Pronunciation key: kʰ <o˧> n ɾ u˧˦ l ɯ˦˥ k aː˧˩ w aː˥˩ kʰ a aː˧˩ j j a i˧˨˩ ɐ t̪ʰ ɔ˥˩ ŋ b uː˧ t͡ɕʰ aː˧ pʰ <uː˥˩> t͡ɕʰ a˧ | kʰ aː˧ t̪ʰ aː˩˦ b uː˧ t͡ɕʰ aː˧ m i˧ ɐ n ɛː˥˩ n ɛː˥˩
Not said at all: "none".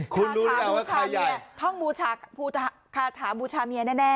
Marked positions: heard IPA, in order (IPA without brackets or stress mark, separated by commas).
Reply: u˧, uː˧